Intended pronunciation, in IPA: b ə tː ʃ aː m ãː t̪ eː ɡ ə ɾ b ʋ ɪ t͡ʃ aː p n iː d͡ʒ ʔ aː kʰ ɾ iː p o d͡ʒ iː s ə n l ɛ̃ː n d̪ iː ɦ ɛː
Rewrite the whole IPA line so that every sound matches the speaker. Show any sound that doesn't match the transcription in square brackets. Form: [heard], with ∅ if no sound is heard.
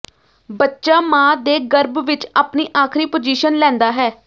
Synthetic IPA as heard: b ə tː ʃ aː m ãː [d̪] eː ɡ ə ɾ b ʋ ɪ t͡ʃ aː p n iː [∅] ʔ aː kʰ ɾ iː p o d͡ʒ iː [ʃ] ə n l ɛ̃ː n d̪ [aː] ɦ ɛː